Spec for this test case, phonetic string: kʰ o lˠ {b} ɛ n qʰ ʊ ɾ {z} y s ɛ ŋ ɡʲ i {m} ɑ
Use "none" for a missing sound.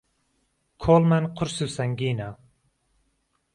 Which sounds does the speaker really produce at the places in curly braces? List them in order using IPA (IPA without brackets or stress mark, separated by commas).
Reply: m, s, n